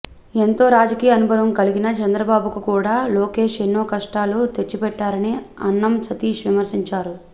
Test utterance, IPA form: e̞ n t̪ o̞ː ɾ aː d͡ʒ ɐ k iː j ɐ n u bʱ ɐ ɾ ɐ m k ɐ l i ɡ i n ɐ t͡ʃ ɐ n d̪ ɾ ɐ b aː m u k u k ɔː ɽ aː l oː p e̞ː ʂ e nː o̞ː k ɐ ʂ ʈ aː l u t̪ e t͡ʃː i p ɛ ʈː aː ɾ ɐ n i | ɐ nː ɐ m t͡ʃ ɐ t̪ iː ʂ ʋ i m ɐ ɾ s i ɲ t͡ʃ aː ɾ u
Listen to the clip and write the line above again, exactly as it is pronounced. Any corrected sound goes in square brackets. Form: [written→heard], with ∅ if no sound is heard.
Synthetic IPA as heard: e̞ n t̪ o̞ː ɾ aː d͡ʒ ɐ k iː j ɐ n u bʱ ɐ ɾ ɐ m k ɐ l i ɡ i n ɐ t͡ʃ ɐ n d̪ ɾ ɐ b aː [m→b] u k u k [ɔː→uː] ɽ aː l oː [p→k] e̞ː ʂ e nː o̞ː k ɐ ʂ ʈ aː l u t̪ e t͡ʃː i p ɛ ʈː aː ɾ ɐ n i | ɐ nː ɐ m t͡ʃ ɐ t̪ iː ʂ ʋ i m ɐ ɾ s i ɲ t͡ʃ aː ɾ u